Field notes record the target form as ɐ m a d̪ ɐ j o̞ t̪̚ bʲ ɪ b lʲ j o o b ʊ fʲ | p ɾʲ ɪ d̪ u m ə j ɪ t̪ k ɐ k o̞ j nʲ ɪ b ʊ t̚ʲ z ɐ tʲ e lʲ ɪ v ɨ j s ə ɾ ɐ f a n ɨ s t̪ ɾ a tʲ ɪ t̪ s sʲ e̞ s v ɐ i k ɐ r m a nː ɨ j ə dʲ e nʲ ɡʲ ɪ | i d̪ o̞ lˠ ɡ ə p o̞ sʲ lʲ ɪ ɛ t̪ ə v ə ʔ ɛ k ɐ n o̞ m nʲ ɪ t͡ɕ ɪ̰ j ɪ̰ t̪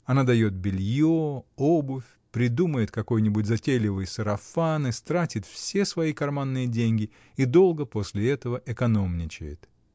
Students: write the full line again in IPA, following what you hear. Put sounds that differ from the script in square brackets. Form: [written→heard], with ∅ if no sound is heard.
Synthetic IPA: ɐ [m→n] a d̪ ɐ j o̞ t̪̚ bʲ ɪ [b→∅] lʲ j o o b ʊ fʲ | p ɾʲ ɪ d̪ u m ə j ɪ t̪ k ɐ k o̞ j nʲ ɪ b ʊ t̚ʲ z ɐ tʲ e lʲ ɪ v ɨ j s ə ɾ ɐ f a n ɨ s t̪ ɾ a tʲ ɪ t̪ [s→f] sʲ e̞ s v ɐ i k ɐ r m a nː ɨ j ə dʲ e nʲ ɡʲ ɪ | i d̪ o̞ lˠ ɡ ə p o̞ sʲ lʲ ɪ ɛ t̪ ə v ə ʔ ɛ k ɐ n o̞ m nʲ ɪ t͡ɕ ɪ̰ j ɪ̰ t̪